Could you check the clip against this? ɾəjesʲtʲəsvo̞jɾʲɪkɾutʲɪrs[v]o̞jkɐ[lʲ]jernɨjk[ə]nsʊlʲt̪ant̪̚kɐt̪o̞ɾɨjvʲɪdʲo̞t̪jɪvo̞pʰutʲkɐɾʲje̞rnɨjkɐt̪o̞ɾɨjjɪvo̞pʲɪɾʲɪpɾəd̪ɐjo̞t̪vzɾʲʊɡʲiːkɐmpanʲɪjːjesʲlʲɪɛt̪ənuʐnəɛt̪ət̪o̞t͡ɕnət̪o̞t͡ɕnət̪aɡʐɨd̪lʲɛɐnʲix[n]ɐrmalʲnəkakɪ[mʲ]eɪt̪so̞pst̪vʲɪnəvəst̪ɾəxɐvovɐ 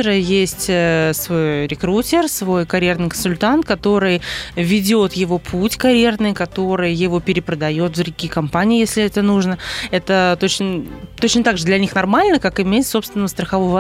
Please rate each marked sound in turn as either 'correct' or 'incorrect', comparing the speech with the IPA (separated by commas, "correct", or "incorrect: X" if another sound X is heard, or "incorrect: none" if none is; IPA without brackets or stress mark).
correct, incorrect: ɾʲ, correct, correct, correct